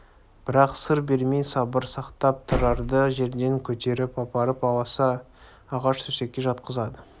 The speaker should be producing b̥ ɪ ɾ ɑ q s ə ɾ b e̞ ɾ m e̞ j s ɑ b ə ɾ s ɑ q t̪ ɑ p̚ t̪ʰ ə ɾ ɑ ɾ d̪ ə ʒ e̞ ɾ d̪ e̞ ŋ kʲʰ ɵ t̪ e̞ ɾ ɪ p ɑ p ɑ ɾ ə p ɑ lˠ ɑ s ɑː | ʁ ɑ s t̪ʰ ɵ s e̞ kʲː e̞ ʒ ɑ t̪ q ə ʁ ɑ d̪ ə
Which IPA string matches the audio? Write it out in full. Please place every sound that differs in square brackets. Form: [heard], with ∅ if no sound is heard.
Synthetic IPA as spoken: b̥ ɪ ɾ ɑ q s ə ɾ b e̞ ɾ m e̞ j s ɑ b ə ɾ s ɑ q t̪ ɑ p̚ t̪ʰ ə ɾ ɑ ɾ d̪ ə ʒ e̞ ɾ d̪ e̞ ŋ kʲʰ ɵ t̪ e̞ ɾ ɪ p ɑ p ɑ ɾ ə p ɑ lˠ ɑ s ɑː | ʁ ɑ [ʃ] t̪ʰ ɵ s e̞ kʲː e̞ ʒ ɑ t̪ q ə [z] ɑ d̪ ə